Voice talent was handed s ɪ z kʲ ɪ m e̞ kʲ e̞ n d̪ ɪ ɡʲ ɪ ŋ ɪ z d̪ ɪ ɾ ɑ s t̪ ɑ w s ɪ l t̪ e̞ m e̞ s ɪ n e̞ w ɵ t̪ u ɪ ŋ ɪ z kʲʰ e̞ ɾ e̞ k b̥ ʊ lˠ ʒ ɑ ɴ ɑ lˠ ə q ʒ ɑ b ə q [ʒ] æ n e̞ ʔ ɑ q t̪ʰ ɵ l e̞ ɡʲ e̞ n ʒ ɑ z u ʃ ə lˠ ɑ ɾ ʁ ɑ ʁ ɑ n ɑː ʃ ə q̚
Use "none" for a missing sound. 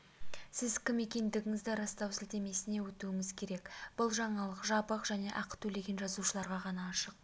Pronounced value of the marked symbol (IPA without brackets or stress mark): ʒ